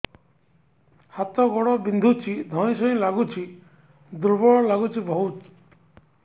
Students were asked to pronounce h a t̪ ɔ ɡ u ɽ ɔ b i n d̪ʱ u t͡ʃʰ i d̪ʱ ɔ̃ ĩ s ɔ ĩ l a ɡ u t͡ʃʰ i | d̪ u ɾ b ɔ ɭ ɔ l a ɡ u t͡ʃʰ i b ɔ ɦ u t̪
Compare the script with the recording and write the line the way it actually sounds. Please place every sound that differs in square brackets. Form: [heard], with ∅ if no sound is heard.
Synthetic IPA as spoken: h a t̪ ɔ ɡ [ɔ] ɽ ɔ b i n d̪ʱ u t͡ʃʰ i d̪ʱ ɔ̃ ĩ s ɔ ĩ l a ɡ u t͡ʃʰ i | d̪ u ɾ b ɔ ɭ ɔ l a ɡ u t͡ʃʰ i b ɔ ɦ u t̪